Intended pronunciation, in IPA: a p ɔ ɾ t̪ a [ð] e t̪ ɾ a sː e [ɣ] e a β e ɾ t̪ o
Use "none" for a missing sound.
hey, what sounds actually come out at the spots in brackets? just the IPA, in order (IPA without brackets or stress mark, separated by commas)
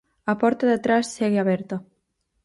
ð, ɣ